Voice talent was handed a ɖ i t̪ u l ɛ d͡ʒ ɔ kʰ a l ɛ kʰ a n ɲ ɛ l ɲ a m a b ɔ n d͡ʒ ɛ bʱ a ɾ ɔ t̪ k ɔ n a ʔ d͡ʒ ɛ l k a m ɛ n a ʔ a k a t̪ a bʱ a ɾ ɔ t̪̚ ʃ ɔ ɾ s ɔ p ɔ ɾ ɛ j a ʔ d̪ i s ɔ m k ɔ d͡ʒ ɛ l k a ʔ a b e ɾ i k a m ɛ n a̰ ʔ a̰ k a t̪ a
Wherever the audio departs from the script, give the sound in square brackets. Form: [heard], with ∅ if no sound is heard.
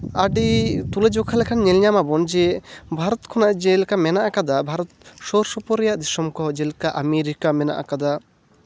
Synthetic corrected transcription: a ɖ i t̪ u l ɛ d͡ʒ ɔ kʰ a l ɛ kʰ a n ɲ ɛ l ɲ a m a b ɔ n d͡ʒ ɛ bʱ a ɾ ɔ t̪ [kʰ] ɔ n a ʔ d͡ʒ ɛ l k a m ɛ n a ʔ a k a [d̪] a bʱ a ɾ ɔ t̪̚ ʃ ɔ ɾ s ɔ p ɔ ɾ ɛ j a ʔ d̪ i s ɔ m k ɔ d͡ʒ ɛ l k a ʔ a [m] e ɾ i k a m ɛ n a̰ ʔ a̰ k a [d̪] a